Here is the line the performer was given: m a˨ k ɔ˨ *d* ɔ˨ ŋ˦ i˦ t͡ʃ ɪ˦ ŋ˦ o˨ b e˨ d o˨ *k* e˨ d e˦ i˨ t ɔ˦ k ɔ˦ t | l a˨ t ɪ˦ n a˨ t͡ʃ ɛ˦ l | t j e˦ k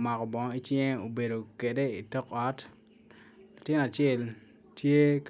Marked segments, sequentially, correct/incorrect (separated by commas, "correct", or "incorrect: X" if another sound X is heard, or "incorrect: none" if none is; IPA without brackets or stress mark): incorrect: b, correct